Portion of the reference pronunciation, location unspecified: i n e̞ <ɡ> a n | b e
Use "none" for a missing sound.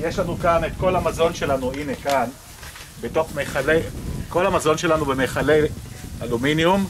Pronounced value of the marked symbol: k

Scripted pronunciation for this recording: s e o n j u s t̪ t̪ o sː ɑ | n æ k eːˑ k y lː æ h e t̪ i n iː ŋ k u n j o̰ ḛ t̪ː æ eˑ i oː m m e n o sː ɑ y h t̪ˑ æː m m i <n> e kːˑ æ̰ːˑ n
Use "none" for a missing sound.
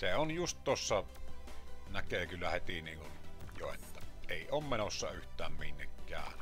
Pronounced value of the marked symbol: nː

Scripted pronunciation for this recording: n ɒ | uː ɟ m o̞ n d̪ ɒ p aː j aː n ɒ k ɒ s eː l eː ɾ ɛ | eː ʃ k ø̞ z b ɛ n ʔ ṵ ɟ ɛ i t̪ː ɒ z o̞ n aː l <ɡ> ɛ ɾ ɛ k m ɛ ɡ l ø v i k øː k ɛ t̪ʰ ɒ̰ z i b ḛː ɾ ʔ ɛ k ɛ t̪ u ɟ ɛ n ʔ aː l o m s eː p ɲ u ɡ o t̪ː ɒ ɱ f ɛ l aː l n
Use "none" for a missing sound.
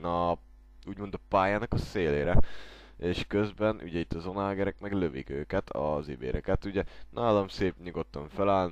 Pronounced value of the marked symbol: ɡ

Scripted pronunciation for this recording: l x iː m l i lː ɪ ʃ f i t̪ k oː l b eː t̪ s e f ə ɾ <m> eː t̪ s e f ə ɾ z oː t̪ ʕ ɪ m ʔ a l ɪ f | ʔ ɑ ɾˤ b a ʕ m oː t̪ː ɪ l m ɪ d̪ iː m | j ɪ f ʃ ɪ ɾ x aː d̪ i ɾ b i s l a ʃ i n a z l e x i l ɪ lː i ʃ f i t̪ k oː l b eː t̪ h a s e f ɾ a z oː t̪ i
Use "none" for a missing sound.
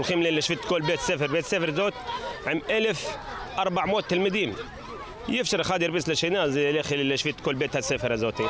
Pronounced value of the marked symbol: b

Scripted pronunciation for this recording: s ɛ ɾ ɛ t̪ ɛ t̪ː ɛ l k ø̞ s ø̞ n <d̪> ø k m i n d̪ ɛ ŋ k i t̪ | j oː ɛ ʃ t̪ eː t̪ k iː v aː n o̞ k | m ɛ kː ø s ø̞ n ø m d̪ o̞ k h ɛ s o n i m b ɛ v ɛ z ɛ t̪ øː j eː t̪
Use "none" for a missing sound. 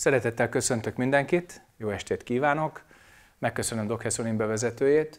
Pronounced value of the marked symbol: t̪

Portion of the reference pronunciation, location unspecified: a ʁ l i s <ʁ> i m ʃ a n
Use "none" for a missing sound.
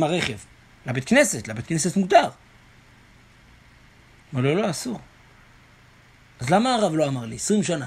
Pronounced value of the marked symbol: ʁ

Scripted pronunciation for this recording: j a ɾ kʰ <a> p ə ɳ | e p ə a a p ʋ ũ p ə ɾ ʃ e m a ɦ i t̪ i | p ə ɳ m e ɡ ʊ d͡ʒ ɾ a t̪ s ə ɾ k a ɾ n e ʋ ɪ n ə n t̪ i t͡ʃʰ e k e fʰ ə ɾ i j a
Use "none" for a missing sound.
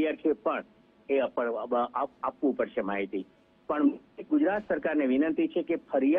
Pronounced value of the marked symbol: e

